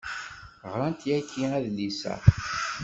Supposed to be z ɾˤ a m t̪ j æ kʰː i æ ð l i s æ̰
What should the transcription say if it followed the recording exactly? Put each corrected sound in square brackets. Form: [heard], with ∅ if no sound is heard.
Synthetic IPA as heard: [ʁ] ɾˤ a [n] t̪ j æ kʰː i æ ð l i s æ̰